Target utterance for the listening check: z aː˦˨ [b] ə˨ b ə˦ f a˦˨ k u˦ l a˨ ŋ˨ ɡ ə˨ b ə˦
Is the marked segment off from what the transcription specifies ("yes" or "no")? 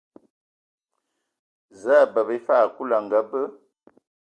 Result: no